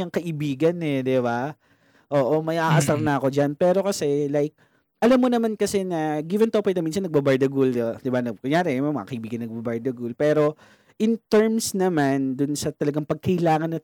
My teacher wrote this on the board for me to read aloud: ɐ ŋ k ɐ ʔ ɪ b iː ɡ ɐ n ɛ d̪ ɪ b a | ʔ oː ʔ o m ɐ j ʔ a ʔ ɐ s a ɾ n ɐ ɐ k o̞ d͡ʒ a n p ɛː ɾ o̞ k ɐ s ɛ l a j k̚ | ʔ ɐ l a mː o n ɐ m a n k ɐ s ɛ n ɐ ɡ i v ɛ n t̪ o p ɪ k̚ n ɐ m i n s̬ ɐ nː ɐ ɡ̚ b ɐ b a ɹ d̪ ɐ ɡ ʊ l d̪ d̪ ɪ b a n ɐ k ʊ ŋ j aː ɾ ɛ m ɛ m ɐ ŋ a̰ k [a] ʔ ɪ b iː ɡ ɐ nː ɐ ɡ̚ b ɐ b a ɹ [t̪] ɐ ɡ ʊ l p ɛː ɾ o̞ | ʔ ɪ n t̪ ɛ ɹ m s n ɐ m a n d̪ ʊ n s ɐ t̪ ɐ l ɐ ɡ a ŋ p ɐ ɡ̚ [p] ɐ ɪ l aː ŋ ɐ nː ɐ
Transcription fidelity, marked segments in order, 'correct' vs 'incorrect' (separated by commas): incorrect, incorrect, incorrect